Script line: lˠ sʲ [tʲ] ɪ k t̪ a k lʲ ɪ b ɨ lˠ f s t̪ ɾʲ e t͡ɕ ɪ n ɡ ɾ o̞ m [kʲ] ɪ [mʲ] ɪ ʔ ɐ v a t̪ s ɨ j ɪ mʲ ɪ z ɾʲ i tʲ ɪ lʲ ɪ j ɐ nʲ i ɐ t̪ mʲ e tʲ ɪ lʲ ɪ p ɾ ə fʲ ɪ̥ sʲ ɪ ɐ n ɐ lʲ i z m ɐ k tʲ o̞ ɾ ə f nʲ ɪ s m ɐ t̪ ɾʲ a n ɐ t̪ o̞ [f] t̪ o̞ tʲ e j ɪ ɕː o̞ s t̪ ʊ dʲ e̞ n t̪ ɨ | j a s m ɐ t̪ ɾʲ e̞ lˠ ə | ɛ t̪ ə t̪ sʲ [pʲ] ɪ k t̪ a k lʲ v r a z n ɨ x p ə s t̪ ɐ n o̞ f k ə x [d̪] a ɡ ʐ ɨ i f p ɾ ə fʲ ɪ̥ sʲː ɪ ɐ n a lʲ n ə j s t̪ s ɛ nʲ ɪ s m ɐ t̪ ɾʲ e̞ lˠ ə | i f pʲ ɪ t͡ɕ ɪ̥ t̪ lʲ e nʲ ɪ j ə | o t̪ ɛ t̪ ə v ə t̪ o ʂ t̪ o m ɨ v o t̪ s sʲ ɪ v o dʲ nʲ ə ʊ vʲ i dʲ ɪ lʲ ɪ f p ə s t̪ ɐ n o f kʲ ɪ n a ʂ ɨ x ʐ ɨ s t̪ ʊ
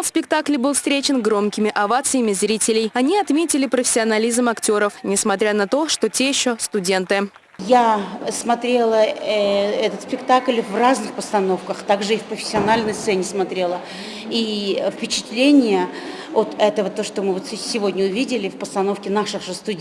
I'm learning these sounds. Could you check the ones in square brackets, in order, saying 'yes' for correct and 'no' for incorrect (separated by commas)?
no, yes, yes, no, yes, no